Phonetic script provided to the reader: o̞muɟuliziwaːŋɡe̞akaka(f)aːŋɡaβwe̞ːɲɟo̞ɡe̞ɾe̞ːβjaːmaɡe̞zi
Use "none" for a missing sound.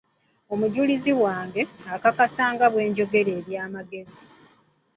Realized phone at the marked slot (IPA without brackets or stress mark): s